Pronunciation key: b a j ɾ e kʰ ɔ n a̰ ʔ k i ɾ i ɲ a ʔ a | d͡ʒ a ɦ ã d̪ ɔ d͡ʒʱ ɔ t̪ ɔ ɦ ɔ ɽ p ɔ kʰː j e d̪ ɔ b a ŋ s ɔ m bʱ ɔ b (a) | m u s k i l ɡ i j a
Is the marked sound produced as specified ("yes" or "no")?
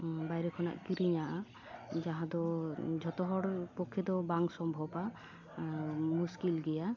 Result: yes